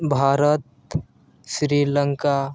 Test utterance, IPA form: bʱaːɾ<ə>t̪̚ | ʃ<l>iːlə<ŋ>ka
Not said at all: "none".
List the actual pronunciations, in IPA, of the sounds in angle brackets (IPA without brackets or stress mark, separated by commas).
ə, ɾ, ŋ